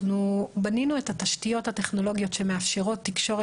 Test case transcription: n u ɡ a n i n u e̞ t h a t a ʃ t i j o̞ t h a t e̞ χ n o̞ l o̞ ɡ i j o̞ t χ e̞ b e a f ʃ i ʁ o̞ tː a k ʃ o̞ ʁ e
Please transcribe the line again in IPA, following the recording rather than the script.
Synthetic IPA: n u b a n i n u e̞ t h a t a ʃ t i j o̞ t h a t e̞ χ n o̞ l o̞ ɡ i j o̞ t ʃ e̞ m e a f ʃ e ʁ o̞ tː i k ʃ o̞ ʁ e